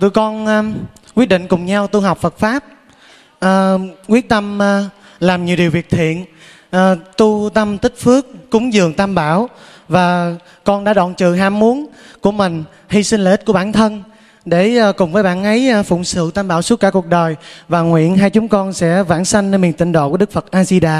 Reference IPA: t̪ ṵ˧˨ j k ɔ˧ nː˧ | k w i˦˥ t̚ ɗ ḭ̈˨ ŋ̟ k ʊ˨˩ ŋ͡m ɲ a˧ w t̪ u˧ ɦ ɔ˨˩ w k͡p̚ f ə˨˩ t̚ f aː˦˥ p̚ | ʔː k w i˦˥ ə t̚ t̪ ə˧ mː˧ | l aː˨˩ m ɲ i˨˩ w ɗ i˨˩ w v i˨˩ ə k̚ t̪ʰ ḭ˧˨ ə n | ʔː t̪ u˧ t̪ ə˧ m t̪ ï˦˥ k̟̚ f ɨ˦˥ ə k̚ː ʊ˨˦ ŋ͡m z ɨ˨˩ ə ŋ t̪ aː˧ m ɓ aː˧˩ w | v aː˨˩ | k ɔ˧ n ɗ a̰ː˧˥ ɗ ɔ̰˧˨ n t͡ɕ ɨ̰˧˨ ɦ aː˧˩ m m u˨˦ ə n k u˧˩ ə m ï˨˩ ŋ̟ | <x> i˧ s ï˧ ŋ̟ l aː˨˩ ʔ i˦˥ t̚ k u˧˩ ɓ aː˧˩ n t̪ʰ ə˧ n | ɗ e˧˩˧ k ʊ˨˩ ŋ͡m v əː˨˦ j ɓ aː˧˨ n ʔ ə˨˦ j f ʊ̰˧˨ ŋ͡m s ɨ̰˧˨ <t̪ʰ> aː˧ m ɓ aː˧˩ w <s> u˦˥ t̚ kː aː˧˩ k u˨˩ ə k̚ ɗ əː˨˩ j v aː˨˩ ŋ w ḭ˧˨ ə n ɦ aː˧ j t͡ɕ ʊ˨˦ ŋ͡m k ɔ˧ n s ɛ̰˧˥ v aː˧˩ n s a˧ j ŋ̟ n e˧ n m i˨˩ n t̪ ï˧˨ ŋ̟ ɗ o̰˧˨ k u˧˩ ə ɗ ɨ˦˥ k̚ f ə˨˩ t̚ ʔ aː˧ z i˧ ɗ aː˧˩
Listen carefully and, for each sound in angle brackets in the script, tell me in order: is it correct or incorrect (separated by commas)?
incorrect, incorrect, correct